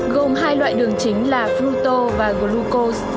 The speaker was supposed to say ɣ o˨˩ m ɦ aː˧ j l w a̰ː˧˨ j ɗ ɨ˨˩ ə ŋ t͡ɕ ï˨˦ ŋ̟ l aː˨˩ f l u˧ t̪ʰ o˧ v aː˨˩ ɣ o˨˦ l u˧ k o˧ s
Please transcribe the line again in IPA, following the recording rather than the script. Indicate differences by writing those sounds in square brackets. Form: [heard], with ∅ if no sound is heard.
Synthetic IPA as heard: ɣ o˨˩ m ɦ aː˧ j l w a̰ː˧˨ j ɗ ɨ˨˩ ə ŋ t͡ɕ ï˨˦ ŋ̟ l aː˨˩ f l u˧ [t̪] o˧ v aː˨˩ ɣ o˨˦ l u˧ k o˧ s

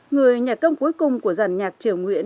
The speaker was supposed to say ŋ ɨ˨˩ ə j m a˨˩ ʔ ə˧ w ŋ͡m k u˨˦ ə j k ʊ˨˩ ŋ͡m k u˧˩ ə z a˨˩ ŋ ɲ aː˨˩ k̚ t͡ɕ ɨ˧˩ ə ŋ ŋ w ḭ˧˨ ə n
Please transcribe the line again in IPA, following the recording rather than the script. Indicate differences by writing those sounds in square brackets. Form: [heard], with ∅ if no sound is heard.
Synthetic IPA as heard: ŋ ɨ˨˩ ə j [ɲ] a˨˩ [k] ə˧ w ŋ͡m k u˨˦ ə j k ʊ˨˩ ŋ͡m k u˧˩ ə z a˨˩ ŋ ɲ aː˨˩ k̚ t͡ɕ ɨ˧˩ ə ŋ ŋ w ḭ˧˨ ə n

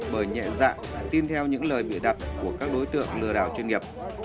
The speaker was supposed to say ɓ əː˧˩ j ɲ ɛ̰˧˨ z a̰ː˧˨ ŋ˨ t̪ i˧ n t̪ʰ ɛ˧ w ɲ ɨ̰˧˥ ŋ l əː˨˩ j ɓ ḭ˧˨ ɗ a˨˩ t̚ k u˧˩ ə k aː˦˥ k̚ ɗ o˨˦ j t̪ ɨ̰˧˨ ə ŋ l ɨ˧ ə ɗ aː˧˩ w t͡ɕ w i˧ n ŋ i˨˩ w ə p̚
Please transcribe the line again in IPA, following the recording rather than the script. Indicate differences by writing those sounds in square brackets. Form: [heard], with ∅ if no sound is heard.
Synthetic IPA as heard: ɓ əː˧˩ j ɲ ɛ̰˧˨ z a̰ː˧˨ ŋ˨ t̪ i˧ n t̪ʰ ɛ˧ w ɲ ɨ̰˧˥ ŋ l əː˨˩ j ɓ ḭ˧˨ ɗ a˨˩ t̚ k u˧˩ ə k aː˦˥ k̚ ɗ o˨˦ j t̪ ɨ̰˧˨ ə ŋ l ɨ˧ ə ɗ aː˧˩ w t͡ɕ w i˧ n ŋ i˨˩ [∅] ə p̚

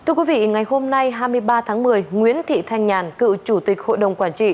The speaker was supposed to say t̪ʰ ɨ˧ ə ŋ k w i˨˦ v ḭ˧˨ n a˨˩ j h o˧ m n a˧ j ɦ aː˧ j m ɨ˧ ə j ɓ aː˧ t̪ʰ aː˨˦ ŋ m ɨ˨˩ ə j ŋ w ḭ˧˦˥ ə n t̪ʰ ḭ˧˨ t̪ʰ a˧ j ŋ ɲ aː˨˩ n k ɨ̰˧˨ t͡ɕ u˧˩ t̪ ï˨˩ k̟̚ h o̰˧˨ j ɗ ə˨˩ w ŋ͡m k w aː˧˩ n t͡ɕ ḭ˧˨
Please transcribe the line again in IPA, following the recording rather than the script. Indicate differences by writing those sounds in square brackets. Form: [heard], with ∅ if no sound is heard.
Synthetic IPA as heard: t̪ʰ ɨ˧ ə [∅] k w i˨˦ v ḭ˧˨ [ŋ] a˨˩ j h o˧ m n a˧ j ɦ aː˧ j m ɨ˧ ə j ɓ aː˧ t̪ʰ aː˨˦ ŋ m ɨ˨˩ ə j ŋ w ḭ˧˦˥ ə n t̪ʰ ḭ˧˨ t̪ʰ a˧ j ŋ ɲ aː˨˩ n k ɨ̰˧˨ t͡ɕ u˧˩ t̪ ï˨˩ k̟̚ h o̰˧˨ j ɗ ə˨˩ w ŋ͡m k w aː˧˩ n t͡ɕ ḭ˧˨

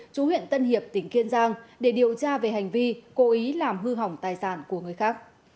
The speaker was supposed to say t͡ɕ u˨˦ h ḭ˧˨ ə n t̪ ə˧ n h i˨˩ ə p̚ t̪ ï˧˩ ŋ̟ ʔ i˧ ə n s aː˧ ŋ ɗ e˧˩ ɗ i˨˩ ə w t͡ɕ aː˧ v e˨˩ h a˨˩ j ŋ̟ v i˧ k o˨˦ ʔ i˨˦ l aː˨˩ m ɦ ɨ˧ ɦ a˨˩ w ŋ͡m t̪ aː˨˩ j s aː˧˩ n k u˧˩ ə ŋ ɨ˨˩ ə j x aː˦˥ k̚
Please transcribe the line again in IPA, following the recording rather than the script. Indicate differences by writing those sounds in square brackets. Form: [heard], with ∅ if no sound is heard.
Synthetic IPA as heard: t͡ɕ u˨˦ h ḭ˧˨ ə n t̪ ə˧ n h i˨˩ ə p̚ t̪ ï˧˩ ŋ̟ [k] i˧ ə n [z] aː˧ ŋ ɗ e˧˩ ɗ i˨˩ ə w t͡ɕ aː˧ v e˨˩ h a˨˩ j ŋ̟ v i˧ k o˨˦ ʔ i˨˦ l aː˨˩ m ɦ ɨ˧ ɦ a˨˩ w ŋ͡m t̪ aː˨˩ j s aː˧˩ n k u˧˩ ə ŋ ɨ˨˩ ə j x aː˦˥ k̚

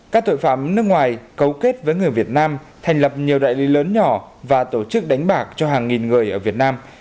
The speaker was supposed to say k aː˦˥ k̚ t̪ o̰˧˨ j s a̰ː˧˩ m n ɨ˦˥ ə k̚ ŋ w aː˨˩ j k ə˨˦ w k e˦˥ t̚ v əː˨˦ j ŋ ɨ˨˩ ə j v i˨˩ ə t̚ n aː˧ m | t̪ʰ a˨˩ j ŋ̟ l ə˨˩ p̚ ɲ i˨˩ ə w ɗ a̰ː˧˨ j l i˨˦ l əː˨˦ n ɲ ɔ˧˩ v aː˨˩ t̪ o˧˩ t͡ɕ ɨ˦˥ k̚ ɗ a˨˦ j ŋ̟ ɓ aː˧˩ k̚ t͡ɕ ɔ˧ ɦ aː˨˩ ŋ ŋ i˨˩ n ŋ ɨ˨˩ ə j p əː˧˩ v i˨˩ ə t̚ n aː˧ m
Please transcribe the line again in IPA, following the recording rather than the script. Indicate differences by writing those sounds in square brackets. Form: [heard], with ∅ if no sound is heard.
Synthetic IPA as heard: k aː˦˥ k̚ t̪ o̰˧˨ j [f] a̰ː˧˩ m n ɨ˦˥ ə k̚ ŋ w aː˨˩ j k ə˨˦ w k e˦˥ t̚ v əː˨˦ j ŋ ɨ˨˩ ə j v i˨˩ ə t̚ n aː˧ m | t̪ʰ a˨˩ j ŋ̟ l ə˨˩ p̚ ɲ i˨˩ ə w ɗ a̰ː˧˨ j l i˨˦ l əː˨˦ n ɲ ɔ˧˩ v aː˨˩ t̪ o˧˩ t͡ɕ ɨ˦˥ k̚ ɗ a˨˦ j ŋ̟ ɓ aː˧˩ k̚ t͡ɕ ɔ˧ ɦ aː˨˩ ŋ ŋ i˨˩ n ŋ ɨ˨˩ ə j [ʔ] əː˧˩ v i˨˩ ə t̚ n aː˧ m

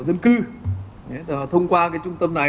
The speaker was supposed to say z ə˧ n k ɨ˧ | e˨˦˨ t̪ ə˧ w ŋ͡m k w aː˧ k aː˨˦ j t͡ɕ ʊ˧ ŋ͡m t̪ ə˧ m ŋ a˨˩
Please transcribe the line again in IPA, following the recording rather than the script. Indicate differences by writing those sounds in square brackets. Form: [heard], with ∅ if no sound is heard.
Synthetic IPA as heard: z ə˧ n k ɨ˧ | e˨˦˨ [t̪ʰ] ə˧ w ŋ͡m k w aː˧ k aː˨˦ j t͡ɕ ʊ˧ ŋ͡m t̪ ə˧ m [n] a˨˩

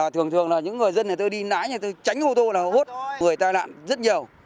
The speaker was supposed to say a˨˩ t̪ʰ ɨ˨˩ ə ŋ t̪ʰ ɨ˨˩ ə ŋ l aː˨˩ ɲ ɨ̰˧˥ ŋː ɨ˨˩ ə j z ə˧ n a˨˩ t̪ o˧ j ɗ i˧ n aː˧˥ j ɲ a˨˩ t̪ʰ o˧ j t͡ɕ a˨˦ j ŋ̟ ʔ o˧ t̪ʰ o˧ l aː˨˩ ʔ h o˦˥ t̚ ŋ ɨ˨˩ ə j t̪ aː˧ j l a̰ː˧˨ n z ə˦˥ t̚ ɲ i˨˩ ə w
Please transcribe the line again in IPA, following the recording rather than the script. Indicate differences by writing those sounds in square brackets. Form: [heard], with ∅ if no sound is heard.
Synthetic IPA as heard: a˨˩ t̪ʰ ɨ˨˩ ə ŋ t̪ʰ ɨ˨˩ ə ŋ l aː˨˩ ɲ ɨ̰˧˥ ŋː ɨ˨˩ ə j z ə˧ n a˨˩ t̪ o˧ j ɗ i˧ n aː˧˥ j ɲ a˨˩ [t̪] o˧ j t͡ɕ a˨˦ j ŋ̟ ʔ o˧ [t̪] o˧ l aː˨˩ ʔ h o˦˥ t̚ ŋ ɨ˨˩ ə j t̪ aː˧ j l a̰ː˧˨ n z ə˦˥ t̚ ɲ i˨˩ ə w

